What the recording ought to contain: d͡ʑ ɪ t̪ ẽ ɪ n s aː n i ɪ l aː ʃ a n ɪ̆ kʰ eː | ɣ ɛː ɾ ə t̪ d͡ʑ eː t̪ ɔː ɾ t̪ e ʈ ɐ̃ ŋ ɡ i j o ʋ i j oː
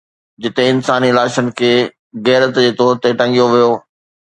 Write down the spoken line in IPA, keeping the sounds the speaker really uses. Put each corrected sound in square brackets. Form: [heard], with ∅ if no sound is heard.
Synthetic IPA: d͡ʑ ɪ t̪ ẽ ɪ n s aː n i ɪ l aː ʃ [ə] n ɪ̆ kʰ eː | ɣ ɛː ɾ ə t̪ d͡ʑ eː t̪ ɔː ɾ t̪ e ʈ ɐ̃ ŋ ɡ i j o ʋ i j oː